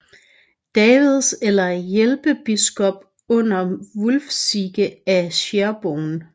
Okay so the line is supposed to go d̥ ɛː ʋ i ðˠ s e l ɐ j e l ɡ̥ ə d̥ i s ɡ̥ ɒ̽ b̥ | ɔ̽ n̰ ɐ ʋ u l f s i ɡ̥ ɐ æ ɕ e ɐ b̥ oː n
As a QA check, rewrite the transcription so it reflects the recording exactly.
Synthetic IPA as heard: d̥ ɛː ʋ i ðˠ s e l ɐ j e l b̥ ə b̥ i s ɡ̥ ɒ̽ b̥ | ɔ̽ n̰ ɐ ʋ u l f s i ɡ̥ ə æ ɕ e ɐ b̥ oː n